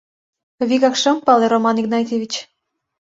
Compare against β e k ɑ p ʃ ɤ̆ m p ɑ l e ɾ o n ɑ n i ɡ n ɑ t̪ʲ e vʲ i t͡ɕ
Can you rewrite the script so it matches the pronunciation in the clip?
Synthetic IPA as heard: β i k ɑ k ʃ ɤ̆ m p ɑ l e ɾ o m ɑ n i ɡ n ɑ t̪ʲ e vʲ i t͡ɕ